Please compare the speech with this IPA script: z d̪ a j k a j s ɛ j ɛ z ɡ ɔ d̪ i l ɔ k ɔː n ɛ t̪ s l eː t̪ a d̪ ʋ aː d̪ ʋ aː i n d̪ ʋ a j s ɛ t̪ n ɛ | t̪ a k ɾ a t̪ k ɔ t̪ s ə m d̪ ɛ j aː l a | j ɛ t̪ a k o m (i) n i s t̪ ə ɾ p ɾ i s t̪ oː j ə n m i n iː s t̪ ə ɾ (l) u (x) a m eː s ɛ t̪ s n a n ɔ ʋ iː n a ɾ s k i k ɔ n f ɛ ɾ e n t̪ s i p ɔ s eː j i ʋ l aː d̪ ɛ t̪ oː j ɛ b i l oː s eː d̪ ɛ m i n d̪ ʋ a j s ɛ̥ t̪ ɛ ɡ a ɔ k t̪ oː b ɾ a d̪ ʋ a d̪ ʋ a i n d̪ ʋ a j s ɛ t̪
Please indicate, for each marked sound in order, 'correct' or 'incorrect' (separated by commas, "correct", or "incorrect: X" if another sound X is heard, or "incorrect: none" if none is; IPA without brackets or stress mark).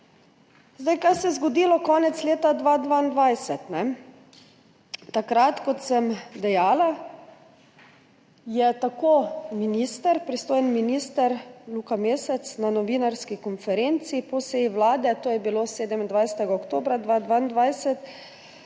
correct, correct, incorrect: k